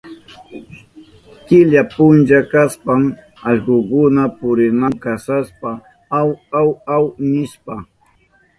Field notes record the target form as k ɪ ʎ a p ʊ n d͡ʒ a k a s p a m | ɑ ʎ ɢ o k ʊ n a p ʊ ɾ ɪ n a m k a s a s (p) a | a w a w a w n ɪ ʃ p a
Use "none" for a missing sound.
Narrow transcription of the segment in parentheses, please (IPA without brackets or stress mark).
p